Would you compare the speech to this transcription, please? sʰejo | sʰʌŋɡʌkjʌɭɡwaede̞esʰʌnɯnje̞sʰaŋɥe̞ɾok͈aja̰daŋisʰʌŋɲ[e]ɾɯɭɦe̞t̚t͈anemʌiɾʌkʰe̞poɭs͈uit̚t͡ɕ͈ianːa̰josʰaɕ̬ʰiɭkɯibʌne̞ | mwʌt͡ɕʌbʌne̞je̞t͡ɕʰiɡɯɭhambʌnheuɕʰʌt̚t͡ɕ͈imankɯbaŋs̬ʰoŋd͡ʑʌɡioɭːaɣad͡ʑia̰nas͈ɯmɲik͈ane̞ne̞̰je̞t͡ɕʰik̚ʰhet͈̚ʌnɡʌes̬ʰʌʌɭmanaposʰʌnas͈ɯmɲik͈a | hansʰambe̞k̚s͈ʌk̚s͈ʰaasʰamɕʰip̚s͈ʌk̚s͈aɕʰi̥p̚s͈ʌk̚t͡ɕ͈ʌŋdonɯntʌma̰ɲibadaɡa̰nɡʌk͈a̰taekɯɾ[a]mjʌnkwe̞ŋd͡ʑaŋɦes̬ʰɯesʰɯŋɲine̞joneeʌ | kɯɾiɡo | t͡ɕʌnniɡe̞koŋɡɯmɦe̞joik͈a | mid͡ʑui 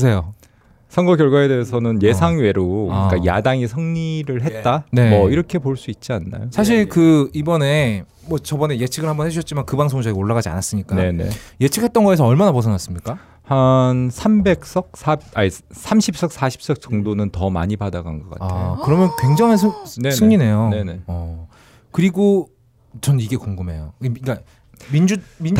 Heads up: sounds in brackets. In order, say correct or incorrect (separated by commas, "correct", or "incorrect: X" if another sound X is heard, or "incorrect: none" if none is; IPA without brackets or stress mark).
incorrect: i, incorrect: ʌ